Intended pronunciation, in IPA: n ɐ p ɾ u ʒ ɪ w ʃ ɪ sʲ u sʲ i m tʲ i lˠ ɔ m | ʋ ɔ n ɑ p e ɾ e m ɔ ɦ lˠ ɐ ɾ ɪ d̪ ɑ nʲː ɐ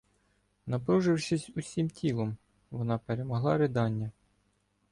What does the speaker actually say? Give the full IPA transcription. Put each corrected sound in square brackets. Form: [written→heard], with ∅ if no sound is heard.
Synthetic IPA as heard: n ɐ p ɾ u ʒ ɪ w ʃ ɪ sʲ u sʲ i m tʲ i lˠ ɔ m | ʋ ɔ n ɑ p e ɾ e m ɔ ɦ lˠ [ɐ→ɑ] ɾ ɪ d̪ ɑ nʲː ɐ